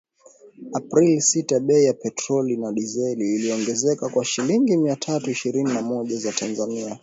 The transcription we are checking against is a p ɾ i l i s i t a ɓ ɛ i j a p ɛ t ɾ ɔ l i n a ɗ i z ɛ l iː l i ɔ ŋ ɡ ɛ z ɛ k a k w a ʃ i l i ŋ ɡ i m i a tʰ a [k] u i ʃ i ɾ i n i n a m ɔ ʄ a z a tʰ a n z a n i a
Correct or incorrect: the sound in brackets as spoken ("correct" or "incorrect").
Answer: incorrect